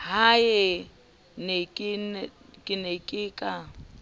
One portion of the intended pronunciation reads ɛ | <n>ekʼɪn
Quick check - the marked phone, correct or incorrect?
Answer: correct